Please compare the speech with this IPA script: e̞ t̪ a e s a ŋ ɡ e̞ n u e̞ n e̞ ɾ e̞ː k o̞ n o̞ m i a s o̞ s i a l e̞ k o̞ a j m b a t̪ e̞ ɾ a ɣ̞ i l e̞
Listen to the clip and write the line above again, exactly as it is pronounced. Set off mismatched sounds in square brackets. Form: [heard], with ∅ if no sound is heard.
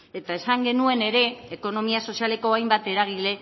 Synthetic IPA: e̞ t̪ a e s a ŋ ɡ e̞ n u e̞ n e̞ ɾ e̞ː k o̞ n o̞ m i a s o̞ s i a l e̞ k o̞ a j m b a t̪ e̞ ɾ a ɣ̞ i l e̞